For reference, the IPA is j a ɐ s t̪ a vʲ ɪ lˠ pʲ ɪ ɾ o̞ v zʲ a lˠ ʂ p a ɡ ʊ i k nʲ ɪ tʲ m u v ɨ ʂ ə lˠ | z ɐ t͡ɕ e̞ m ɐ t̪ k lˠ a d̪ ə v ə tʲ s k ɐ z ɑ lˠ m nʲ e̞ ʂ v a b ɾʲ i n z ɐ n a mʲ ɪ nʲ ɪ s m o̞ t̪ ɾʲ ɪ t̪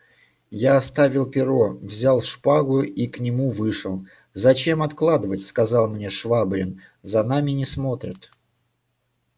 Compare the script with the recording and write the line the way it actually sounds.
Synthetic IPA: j a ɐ s t̪ a vʲ ɪ lˠ pʲ ɪ ɾ o̞ v zʲ a lˠ ʂ p a ɡ ʊ i k nʲ ɪ m u v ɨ ʂ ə lˠ | z ɐ t͡ɕ e̞ m ɐ t̪ k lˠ a d̪ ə v ə tʲ s k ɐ z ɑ lˠ m nʲ e̞ ʂ v a b ɾʲ ɪ n z ɐ n a mʲ ɪ nʲ ɪ s m o̞ t̪ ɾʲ ɪ t̪